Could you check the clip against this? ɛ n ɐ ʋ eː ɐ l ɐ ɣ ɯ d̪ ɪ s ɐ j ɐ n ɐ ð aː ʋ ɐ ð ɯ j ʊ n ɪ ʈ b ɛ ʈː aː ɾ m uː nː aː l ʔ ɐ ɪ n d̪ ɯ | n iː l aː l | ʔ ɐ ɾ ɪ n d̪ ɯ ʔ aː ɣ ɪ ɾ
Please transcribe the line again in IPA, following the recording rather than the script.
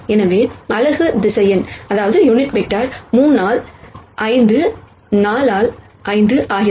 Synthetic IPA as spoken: ɛ n ɐ ʋ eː ɐ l ɐ ɣ ɯ d̪ ɪ s ɐ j ɐ n ɐ ð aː ʋ ɐ ð ɯ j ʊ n ɪ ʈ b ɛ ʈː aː ɾ m uː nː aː l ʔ ɐ ɪ n d̪ ɯ | n aː l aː l | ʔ ɐ ɪ n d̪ ɯ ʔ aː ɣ ɪ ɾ